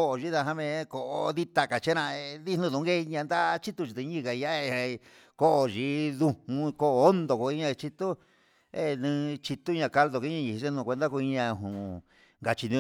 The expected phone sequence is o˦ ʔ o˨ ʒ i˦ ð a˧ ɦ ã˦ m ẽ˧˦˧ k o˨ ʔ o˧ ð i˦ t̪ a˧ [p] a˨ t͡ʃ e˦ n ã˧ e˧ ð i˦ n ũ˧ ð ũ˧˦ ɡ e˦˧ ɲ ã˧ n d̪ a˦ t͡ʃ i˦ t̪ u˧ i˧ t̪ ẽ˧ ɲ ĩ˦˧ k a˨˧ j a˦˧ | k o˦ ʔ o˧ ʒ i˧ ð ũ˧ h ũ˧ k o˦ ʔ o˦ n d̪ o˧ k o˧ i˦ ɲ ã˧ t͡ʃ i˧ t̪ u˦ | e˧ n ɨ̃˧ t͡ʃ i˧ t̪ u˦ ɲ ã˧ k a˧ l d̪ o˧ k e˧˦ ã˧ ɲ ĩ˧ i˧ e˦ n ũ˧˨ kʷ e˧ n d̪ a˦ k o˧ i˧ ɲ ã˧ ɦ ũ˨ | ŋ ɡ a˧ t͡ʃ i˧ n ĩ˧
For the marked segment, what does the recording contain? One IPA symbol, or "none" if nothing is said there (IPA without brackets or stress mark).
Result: k